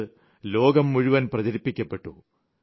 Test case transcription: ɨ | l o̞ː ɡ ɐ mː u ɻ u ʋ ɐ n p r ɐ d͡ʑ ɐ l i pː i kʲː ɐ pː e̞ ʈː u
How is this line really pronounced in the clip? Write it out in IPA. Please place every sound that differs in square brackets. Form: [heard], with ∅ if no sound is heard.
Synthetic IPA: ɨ | l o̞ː ɡ ɐ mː u ɻ u ʋ ɐ n p r ɐ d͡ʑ ɐ [ɾ] i pː i kʲː ɐ pː e̞ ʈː u